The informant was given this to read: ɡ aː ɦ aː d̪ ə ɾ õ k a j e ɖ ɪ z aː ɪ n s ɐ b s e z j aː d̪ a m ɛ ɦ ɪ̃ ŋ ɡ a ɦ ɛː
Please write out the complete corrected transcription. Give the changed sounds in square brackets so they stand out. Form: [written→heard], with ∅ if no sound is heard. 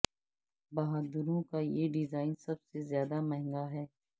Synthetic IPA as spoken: [ɡ→b] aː ɦ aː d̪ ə ɾ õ k a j e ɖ ɪ z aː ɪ n s ɐ b s e z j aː d̪ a m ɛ ɦ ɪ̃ ŋ ɡ a ɦ ɛː